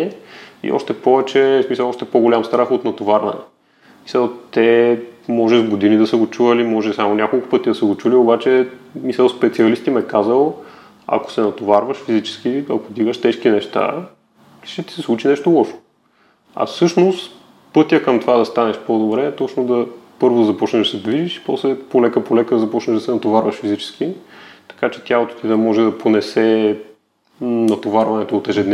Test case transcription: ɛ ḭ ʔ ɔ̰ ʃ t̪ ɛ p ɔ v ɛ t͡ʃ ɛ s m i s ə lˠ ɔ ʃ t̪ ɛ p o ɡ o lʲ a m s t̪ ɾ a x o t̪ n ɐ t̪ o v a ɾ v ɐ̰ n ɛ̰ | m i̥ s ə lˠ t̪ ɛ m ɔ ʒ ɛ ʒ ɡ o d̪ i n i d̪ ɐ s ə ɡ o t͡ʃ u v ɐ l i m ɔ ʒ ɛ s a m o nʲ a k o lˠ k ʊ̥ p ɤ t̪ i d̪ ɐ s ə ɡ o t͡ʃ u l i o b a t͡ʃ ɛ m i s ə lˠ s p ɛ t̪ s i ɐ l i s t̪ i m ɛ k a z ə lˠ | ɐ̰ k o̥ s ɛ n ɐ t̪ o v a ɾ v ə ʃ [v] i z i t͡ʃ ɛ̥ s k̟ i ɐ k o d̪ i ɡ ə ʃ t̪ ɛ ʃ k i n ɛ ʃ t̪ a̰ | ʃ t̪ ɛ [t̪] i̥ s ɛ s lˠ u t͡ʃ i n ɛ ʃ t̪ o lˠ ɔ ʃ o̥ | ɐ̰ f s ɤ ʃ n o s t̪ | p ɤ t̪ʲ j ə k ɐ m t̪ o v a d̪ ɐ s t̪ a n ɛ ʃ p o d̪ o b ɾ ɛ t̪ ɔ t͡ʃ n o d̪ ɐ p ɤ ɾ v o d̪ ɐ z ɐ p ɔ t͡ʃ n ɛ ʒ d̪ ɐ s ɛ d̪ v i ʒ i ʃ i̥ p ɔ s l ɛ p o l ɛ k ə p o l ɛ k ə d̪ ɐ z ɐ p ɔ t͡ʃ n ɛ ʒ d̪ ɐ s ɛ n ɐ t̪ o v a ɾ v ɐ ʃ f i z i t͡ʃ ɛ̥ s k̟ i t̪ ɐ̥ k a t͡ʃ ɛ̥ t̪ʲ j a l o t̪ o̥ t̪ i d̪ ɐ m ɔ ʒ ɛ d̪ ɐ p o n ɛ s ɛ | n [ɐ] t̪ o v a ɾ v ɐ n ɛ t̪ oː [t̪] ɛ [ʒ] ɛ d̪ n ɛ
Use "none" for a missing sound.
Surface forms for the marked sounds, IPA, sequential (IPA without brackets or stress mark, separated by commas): f, t̪, ɐ, t̪, ʒ